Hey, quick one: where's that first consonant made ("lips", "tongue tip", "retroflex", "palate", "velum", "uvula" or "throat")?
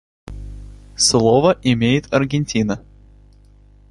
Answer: tongue tip